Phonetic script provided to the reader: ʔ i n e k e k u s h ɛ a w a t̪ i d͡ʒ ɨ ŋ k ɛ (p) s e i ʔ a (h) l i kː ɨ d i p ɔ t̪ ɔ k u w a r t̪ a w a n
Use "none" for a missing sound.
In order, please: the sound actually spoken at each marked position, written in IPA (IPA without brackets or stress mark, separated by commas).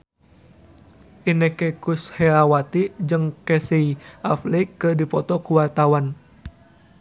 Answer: none, f